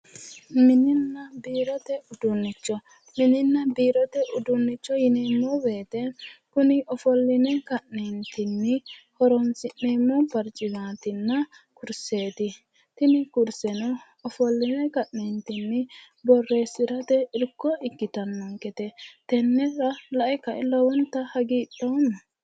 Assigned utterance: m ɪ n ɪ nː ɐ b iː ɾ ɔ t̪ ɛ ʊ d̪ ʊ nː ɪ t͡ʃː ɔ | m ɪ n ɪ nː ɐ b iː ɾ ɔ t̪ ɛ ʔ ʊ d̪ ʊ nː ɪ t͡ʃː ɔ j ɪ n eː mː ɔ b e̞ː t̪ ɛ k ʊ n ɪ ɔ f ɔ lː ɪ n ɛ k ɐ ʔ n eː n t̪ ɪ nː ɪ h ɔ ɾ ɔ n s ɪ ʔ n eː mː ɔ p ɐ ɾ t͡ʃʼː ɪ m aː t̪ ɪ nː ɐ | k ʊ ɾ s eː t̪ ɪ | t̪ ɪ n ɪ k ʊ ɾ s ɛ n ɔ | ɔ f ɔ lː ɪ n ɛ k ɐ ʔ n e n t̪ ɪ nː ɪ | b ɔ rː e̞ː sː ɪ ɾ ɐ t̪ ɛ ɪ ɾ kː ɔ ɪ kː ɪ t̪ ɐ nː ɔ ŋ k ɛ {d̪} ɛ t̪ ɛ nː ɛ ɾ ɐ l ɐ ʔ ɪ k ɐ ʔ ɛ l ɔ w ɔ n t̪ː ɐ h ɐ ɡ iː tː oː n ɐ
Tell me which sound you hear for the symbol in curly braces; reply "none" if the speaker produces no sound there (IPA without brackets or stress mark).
t̪